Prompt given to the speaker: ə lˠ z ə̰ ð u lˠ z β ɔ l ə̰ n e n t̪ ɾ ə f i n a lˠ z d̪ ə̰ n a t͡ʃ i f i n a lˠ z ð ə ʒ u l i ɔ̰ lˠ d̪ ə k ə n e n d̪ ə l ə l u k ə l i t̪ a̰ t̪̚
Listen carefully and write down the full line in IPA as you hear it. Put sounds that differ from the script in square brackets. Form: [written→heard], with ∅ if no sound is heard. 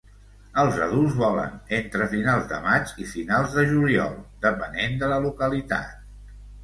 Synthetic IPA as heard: ə lˠ z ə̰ ð u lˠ z β ɔ l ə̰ n e n t̪ ɾ ə f i n a lˠ z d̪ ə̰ [n→m] a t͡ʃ i f i n a lˠ z ð ə ʒ u l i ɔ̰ lˠ d̪ ə [k→p] ə n e n d̪ ə l ə l u k ə l i t̪ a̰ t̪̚